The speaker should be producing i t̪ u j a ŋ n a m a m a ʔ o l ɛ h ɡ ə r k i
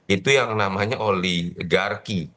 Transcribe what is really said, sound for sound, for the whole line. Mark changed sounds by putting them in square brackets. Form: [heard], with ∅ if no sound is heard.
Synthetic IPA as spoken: i t̪ u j a ŋ n a m a [ɲ] a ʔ o l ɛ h ɡ [a] r k i